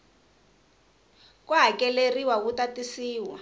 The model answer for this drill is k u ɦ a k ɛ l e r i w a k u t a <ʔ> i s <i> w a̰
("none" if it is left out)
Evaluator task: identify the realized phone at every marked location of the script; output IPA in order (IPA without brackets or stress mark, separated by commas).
t, iː